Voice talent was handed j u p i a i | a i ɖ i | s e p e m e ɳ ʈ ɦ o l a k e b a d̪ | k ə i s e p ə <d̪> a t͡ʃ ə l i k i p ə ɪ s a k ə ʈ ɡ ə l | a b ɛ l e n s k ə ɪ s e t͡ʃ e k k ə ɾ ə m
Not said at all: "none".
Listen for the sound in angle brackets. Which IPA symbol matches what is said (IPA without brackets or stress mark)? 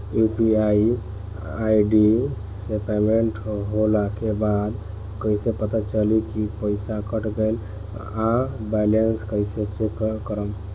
t̪